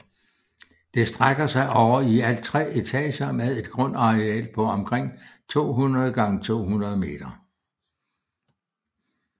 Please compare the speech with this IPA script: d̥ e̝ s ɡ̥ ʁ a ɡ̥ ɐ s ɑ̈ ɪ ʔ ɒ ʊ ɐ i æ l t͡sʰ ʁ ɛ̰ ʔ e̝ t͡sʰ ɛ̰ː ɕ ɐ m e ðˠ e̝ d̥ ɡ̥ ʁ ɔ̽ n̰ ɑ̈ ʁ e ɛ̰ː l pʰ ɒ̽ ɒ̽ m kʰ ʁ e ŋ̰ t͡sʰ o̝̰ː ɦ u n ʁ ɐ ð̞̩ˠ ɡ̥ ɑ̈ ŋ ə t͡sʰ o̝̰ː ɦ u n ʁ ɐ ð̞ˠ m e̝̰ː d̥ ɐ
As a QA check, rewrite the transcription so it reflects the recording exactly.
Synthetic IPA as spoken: d̥ e̝ s d̥ ʁ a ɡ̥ ɐ s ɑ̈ ɪ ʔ ɒ ʊ ɐ i æ l t͡sʰ ʁ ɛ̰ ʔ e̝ t͡sʰ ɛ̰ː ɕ ɐ m e ðˠ e̝ d̥ ɡ̥ ʁ ɔ̽ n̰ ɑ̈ ʁ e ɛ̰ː l pʰ ɒ̽ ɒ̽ m kʰ ʁ e ŋ̰ t͡sʰ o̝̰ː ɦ u n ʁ ɐ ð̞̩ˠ ɡ̥ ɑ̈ ŋ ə t͡sʰ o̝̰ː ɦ u n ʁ ɐ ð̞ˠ m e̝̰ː d̥ ɐ